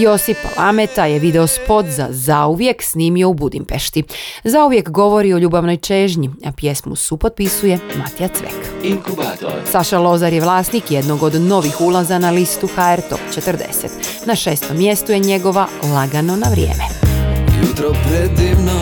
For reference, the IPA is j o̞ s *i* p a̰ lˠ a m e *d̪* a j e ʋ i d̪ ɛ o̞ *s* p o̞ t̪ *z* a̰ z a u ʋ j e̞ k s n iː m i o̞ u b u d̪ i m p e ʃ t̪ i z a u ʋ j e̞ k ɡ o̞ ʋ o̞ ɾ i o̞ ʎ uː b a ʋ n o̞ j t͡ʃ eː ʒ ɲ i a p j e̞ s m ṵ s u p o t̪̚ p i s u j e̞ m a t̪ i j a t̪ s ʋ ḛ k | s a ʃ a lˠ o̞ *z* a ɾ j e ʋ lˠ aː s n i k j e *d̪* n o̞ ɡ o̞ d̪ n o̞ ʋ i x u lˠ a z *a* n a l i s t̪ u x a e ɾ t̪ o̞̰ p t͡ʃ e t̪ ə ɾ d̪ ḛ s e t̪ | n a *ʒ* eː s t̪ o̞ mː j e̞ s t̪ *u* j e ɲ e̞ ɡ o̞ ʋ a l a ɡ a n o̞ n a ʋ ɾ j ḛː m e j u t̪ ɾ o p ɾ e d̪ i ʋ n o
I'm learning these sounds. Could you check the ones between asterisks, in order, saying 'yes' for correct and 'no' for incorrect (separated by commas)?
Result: yes, no, yes, yes, yes, yes, yes, no, yes